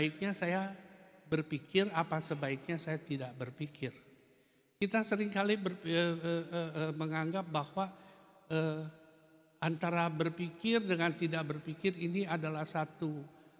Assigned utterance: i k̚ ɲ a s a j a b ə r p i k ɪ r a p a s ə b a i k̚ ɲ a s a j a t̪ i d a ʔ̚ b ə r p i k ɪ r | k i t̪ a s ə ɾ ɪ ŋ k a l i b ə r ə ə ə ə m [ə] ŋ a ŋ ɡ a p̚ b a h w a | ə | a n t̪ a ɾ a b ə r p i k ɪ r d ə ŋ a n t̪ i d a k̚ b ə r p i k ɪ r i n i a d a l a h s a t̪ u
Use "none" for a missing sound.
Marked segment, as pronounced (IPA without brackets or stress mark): ə